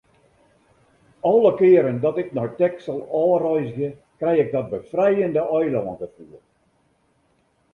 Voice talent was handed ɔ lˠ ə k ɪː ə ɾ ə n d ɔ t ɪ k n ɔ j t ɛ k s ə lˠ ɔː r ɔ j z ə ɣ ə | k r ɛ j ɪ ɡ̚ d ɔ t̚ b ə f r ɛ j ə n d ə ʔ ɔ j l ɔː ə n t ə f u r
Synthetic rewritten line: ɔ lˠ ə k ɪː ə ɾ ə n d ɔ t ɪ k n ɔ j t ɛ k s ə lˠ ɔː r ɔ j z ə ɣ ə | k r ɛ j ɪ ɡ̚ d ɔ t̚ b ə f r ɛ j ə n d ə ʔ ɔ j l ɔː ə n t ə f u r